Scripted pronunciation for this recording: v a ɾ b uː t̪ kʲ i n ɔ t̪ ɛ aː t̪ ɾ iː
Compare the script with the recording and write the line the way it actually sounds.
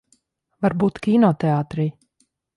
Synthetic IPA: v a ɾ b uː t̪ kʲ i n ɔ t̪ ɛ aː t̪ ɾ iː